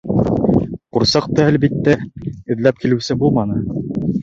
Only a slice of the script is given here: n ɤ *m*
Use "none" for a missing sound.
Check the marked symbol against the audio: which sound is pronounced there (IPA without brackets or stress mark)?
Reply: none